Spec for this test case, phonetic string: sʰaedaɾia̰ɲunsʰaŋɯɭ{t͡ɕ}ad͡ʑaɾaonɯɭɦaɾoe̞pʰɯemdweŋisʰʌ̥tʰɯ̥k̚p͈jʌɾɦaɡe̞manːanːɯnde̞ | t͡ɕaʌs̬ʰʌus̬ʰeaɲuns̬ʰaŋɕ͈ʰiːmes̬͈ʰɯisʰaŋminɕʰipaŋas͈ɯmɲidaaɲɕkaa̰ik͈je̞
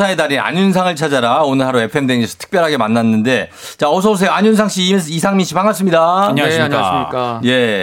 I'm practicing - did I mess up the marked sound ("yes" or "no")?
yes